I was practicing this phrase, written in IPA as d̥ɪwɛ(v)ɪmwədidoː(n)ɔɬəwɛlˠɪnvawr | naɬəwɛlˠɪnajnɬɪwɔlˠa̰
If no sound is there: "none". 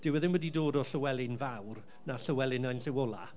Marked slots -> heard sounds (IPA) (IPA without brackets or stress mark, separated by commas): ð, d